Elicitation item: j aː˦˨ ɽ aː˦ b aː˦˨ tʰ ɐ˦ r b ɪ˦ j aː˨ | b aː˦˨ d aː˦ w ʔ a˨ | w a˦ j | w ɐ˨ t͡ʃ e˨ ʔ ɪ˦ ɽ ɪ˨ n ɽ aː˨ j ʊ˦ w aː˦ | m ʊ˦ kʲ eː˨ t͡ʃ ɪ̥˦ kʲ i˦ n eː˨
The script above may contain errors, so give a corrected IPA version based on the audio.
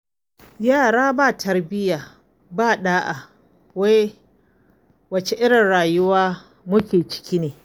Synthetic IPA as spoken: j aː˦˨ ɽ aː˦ b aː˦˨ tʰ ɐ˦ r b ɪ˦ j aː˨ | b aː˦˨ ɗ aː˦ ʔ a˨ | w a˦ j | w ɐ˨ t͡ʃ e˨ ʔ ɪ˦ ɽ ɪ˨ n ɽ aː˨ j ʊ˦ w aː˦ | m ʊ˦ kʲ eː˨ t͡ʃ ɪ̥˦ kʲ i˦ n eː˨